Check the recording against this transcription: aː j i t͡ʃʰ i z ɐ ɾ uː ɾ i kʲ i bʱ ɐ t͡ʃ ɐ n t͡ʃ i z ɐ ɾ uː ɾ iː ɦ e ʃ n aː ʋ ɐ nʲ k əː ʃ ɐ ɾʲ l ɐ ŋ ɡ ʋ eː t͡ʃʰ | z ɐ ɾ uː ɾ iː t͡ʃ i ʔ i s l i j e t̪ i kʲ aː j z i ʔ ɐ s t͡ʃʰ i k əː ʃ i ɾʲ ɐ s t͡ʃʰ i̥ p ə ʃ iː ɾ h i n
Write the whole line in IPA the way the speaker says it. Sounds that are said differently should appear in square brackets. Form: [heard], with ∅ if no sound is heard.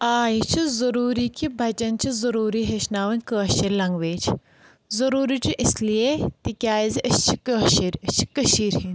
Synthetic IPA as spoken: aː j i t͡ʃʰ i z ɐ ɾ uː ɾ i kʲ i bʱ ɐ t͡ʃ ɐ n t͡ʃ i z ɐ ɾ uː ɾ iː ɦ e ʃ n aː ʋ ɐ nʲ k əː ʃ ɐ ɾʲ l ɐ ŋ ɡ ʋ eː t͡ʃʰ | z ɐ ɾ uː ɾ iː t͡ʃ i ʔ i s l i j e t̪ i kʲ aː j z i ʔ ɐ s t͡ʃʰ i k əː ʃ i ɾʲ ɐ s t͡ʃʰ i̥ [k] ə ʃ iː ɾ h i n